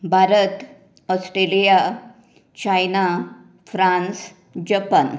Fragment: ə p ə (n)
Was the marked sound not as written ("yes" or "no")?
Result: no